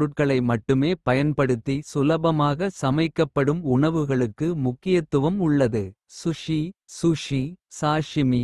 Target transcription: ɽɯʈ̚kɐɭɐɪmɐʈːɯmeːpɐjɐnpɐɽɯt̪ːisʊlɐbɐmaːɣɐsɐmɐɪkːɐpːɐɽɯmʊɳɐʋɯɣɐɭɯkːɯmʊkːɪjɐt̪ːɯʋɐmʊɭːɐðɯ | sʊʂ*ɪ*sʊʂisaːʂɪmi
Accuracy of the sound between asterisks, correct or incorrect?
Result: incorrect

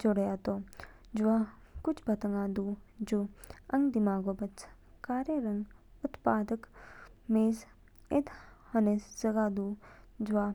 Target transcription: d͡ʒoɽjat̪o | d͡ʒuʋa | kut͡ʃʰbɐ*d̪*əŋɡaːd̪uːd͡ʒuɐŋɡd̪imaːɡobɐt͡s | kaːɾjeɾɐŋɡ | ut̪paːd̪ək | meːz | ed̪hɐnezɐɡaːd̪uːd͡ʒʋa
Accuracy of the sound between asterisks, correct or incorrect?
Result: incorrect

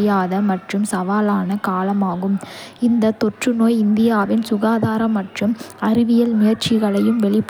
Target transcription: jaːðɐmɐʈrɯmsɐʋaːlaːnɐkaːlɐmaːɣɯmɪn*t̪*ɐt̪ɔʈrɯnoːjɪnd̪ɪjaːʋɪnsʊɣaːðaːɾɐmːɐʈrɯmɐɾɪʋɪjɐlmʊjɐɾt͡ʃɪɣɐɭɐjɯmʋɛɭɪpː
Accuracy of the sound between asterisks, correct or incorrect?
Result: incorrect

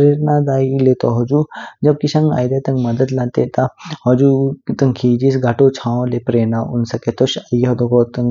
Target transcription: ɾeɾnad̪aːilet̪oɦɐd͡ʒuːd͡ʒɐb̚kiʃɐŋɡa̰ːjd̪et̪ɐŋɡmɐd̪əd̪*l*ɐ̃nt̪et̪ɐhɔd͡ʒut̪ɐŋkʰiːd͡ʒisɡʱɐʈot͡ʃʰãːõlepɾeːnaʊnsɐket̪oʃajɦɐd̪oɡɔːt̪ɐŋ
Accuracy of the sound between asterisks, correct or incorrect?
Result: correct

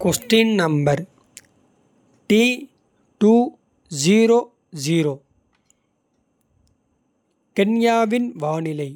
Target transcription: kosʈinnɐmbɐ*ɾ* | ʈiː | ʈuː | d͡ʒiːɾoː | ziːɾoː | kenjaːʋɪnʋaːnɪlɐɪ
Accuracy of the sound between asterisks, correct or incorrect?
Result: correct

